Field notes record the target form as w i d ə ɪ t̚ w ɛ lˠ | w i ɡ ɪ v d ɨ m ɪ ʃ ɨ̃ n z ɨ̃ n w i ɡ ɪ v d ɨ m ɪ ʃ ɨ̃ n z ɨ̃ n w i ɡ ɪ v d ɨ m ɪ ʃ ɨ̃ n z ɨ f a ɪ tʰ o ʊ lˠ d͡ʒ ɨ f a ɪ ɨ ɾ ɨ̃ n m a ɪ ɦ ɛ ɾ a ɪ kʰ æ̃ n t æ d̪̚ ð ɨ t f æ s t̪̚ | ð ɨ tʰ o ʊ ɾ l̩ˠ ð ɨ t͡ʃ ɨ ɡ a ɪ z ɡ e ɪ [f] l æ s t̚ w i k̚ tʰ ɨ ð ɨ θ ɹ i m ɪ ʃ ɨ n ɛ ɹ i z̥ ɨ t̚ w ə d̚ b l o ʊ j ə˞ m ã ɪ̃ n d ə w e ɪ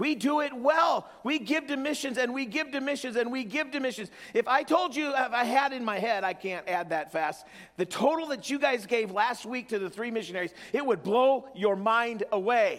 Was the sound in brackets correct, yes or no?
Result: no